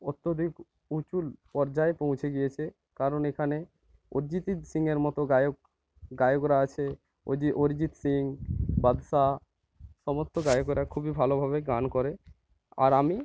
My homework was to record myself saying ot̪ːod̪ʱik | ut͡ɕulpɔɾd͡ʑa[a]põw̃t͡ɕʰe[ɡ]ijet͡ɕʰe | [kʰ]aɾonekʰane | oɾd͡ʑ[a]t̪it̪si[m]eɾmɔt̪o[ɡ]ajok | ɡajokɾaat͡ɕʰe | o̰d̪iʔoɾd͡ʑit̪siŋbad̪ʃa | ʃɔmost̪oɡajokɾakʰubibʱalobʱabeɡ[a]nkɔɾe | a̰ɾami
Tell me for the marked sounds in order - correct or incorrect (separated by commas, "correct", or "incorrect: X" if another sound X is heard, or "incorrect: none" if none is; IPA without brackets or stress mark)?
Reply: incorrect: e, correct, incorrect: k, incorrect: i, incorrect: ŋ, correct, correct